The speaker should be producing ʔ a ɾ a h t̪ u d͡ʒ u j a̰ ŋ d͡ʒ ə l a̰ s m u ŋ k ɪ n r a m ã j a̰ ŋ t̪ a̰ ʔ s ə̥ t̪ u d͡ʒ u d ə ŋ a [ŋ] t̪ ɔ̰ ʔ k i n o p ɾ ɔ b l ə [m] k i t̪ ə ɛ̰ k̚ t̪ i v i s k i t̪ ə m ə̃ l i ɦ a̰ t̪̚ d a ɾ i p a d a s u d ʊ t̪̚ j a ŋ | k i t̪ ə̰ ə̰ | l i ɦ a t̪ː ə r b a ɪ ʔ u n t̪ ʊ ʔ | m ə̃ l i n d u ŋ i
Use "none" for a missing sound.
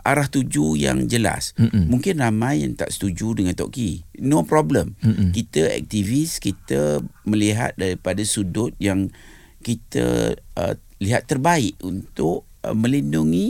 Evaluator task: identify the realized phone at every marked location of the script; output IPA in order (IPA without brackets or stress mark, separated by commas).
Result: n, m